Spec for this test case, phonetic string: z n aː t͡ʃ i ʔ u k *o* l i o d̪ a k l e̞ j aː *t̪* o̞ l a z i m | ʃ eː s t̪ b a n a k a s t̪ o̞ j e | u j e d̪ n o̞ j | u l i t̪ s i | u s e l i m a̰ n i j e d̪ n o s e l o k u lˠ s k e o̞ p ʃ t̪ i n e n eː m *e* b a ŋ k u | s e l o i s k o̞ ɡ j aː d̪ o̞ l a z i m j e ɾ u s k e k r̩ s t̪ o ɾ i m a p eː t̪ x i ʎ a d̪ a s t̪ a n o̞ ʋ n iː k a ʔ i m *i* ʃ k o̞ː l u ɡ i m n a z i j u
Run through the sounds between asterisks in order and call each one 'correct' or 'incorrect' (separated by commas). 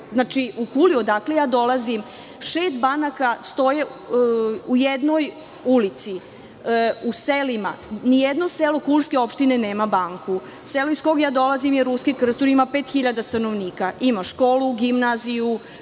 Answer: incorrect, incorrect, incorrect, incorrect